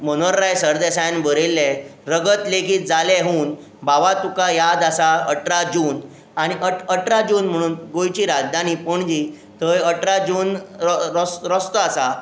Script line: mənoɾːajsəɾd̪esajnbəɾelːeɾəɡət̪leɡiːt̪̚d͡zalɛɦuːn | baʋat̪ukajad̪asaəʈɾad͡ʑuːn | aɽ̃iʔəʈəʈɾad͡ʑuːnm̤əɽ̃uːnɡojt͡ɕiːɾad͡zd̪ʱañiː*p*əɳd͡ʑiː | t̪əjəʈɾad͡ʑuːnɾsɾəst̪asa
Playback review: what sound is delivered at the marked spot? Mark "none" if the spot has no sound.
p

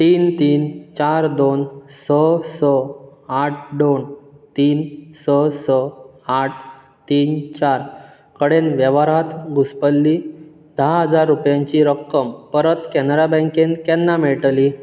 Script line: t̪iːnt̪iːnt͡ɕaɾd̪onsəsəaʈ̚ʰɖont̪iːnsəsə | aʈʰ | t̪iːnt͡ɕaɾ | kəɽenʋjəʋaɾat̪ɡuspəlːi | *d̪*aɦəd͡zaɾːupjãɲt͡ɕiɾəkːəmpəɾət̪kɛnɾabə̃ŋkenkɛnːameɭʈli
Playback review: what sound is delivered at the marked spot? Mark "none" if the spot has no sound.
d̪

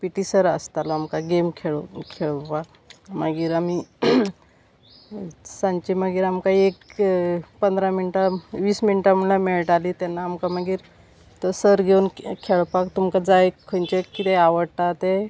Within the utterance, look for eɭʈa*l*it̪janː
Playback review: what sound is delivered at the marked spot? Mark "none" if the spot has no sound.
l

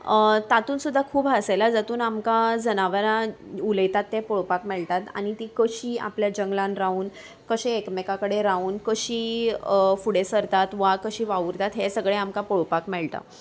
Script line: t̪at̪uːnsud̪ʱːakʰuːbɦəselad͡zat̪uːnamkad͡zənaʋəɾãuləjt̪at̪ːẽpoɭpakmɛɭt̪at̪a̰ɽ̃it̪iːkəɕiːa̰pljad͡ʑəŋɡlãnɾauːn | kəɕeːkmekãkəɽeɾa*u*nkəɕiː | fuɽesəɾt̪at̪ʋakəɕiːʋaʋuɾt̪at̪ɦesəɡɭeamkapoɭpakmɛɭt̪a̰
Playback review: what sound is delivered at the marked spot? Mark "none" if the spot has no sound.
uː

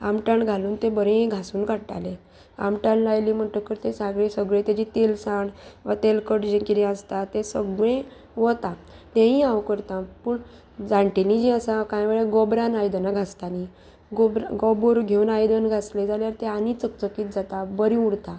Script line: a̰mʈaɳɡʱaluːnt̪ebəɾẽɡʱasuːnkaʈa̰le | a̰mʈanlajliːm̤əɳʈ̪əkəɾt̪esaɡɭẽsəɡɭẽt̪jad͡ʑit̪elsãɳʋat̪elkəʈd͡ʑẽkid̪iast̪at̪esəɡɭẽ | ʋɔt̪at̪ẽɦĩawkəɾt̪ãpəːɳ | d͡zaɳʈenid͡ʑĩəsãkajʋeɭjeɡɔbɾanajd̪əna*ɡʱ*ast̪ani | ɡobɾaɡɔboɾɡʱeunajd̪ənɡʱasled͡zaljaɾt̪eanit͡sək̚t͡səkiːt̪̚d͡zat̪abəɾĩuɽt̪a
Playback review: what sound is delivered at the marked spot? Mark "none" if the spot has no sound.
ɡʱ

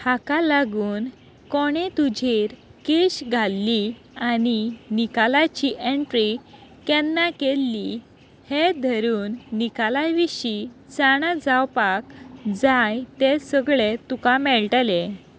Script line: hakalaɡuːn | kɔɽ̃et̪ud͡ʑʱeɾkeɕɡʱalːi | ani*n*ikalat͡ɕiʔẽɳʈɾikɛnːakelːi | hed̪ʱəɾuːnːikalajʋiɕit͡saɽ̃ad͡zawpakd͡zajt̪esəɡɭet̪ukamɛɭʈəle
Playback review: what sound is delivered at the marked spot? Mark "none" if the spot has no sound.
n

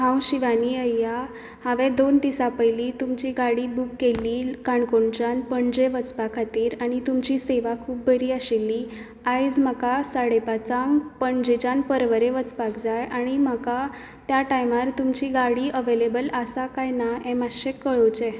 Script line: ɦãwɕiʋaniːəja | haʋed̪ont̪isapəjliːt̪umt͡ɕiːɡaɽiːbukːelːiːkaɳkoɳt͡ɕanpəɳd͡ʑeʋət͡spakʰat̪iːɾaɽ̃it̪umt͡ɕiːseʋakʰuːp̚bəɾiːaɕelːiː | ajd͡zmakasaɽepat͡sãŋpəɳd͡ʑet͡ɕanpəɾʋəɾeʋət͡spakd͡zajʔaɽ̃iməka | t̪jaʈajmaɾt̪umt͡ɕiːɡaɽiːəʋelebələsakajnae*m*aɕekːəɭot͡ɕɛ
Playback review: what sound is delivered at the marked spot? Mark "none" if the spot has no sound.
m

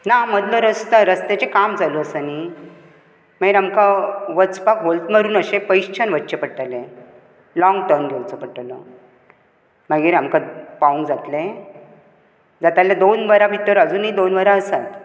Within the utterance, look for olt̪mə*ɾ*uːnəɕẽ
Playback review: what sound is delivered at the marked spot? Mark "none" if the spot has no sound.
ɾ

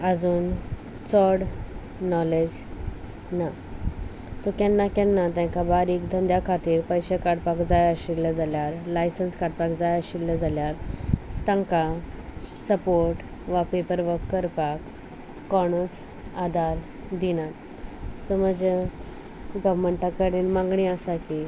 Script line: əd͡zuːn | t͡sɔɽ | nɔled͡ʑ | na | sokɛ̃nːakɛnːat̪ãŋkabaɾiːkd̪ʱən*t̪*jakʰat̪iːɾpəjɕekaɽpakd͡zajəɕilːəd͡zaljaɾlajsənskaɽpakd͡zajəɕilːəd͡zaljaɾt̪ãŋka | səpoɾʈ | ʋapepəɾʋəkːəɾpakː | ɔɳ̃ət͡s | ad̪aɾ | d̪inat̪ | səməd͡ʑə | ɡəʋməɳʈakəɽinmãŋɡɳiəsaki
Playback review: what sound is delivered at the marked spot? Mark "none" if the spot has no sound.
d̪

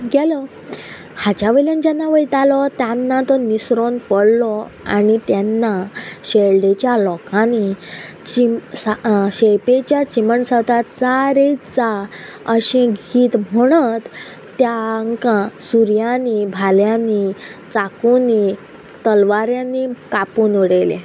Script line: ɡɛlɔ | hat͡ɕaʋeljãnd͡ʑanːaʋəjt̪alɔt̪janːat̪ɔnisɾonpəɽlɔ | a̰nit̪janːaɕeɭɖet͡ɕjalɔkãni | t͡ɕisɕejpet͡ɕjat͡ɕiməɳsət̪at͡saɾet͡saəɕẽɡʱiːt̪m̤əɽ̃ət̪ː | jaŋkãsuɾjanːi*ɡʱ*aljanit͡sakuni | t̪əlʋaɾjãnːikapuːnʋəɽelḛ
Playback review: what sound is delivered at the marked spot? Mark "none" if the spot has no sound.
bʱ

